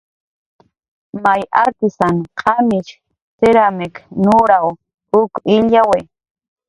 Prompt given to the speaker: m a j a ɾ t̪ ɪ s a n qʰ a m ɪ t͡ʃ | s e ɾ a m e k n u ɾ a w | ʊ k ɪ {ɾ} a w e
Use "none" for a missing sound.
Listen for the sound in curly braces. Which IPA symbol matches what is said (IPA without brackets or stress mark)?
ʎ